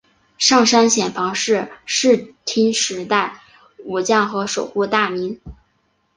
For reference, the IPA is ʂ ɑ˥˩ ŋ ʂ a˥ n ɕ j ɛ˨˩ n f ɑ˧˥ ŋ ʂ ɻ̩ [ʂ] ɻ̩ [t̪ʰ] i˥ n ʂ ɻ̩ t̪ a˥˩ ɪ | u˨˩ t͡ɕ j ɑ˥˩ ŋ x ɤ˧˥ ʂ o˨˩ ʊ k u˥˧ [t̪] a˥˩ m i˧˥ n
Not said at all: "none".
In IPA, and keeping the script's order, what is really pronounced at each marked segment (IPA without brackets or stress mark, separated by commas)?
ʂ, t̪ʰ, t̪